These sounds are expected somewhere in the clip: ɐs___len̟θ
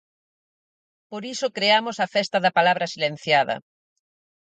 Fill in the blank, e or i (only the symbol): i